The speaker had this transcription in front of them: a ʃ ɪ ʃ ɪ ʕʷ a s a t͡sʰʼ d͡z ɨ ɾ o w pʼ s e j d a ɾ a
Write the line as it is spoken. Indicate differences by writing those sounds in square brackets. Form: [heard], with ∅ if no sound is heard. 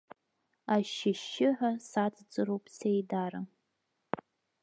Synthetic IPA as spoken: a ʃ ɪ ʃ ɪ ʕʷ a s a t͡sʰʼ d͡z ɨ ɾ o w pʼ s e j d a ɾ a